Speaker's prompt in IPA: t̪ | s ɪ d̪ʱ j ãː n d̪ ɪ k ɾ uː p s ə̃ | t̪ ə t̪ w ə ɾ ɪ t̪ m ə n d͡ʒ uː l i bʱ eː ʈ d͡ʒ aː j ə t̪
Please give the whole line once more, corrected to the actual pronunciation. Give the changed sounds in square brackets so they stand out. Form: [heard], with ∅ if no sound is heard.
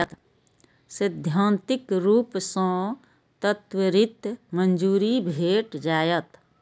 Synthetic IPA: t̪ | s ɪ d̪ʱ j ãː n [t̪] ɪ k ɾ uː p s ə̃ | t̪ ə t̪ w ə ɾ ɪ t̪ m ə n d͡ʒ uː [ɾ] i bʱ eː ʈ d͡ʒ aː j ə t̪